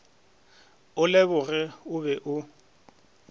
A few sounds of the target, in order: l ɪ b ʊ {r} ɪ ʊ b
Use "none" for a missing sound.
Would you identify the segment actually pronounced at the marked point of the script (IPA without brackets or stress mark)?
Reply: r